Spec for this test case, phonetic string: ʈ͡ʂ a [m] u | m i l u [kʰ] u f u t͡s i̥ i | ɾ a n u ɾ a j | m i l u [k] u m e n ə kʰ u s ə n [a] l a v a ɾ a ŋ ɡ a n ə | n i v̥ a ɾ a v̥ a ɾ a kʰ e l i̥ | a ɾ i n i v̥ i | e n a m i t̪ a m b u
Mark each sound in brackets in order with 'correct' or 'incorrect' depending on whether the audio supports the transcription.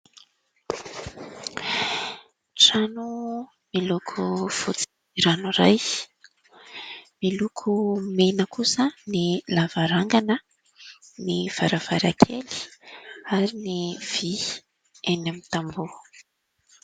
incorrect: n, correct, incorrect: kʰ, incorrect: i

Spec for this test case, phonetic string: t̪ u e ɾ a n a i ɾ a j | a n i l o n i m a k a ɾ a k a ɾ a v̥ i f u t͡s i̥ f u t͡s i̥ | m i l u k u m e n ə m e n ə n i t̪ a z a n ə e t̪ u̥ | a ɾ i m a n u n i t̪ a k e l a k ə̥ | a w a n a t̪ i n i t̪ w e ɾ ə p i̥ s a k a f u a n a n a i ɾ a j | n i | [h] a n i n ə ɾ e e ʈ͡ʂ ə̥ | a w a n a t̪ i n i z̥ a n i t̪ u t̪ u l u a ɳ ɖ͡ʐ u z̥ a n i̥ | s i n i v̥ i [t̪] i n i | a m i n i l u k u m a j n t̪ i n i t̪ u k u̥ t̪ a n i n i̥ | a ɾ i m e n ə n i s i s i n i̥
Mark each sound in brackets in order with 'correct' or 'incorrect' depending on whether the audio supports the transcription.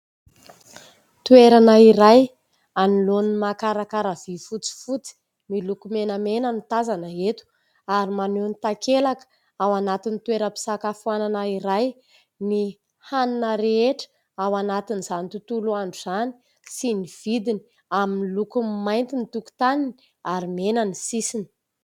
correct, incorrect: d̪

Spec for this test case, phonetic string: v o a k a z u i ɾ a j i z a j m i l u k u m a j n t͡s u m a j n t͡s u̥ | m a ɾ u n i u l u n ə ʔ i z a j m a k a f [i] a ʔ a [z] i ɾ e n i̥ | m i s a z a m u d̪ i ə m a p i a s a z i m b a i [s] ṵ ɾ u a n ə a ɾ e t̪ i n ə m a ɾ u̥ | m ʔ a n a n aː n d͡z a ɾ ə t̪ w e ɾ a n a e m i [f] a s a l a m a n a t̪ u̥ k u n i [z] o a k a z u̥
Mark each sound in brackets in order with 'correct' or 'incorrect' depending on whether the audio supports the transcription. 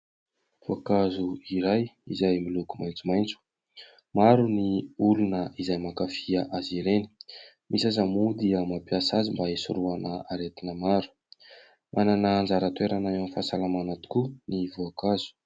correct, correct, correct, correct, incorrect: v

